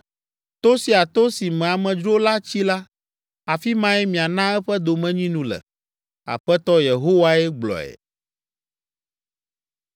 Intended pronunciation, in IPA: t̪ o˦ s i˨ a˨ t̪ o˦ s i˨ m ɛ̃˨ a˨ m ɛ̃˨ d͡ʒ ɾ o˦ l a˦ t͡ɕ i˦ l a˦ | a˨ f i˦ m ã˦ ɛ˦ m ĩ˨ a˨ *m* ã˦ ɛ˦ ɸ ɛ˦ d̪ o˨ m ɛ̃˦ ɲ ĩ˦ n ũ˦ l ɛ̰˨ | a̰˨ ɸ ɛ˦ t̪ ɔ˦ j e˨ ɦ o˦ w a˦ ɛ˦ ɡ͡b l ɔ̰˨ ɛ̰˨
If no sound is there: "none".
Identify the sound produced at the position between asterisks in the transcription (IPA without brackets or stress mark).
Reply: n